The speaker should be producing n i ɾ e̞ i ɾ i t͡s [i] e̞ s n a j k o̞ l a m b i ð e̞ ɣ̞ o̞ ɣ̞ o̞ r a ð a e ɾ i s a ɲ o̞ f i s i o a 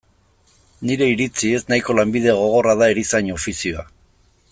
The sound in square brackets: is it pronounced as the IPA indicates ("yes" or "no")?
yes